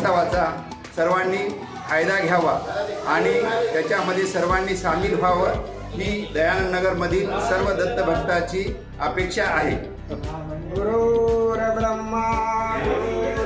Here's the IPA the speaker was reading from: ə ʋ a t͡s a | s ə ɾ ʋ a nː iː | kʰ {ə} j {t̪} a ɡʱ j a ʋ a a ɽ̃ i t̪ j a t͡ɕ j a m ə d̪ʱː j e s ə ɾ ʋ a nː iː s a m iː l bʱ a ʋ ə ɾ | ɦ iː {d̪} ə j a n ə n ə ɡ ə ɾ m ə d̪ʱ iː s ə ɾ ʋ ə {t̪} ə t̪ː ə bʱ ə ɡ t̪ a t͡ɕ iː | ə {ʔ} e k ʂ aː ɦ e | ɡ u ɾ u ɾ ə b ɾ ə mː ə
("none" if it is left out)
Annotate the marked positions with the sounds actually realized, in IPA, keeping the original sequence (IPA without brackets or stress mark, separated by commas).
a, d̪, d̪, d̪, p